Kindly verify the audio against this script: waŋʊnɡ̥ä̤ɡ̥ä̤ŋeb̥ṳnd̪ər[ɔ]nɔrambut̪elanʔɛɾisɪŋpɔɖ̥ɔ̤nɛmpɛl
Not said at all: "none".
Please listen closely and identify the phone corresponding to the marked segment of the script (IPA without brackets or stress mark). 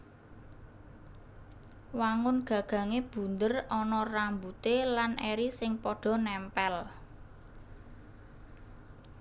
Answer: ɔ